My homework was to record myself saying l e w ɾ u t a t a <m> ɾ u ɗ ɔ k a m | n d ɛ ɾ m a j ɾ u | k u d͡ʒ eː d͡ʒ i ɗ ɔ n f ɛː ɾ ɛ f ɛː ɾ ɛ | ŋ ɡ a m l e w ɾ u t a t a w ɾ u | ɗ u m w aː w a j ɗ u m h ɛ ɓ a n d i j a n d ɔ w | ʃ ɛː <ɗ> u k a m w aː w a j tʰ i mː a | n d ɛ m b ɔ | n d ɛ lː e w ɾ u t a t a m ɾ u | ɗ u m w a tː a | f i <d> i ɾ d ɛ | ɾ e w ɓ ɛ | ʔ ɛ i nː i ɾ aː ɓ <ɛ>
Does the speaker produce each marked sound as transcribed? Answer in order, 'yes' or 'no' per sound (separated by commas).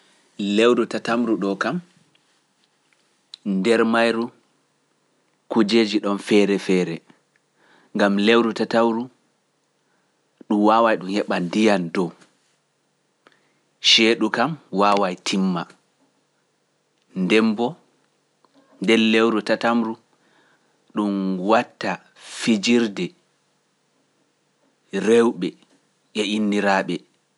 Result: yes, yes, no, yes